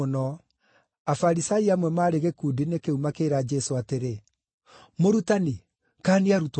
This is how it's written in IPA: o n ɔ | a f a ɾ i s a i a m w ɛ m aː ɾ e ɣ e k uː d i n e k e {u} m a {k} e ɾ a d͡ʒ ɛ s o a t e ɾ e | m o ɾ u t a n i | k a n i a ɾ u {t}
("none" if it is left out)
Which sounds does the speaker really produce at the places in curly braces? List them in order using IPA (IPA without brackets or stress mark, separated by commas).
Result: u, k, t